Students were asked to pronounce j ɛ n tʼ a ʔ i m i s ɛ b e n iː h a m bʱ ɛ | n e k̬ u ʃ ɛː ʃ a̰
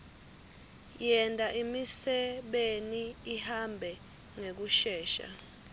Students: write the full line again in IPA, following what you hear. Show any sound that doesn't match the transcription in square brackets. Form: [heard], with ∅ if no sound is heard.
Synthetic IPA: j ɛ n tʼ a ʔ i m i s ɛ [ɓ] e n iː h a m bʱ ɛ | [ŋ] e k̬ u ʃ ɛː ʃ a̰